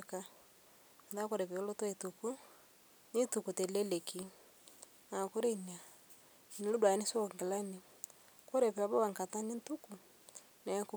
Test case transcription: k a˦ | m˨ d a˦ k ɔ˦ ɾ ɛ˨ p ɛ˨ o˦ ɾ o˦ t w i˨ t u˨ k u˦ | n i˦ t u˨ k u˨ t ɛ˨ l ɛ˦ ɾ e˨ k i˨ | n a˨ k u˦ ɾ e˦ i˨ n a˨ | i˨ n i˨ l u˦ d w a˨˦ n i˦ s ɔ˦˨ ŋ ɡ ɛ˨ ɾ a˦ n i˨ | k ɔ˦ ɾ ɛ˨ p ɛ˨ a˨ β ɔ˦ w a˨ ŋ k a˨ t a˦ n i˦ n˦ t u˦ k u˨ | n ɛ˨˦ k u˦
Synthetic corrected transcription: k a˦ | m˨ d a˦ k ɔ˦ ɾ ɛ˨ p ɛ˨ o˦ l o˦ t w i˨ t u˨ k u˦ | n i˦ t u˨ k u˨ t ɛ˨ l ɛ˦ l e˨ k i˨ | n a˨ k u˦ ɾ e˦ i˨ n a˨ | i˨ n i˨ l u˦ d w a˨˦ n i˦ s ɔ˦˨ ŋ ɡ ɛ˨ l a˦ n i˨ | k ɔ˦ ɾ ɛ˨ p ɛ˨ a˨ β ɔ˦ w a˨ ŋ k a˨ t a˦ n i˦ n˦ t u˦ k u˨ | n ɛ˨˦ k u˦